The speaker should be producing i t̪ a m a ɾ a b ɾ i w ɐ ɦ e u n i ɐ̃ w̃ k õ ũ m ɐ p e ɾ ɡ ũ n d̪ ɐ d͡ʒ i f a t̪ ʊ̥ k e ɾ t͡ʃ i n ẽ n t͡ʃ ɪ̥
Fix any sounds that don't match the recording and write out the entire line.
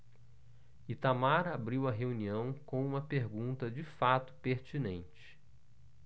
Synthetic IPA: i t̪ a m a ɾ a b ɾ i w ɐ ɦ e u n i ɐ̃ w̃ k õ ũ m ɐ p e ɾ ɡ ũ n t̪ ɐ d͡ʒ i f a t̪ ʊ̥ p e ɾ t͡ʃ i n ẽ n t͡ʃ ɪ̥